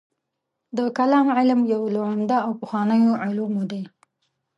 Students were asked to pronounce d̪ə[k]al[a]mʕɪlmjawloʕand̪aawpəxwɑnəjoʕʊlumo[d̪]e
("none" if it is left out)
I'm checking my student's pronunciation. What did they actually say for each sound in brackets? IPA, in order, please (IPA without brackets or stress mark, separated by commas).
k, ɑ, d̪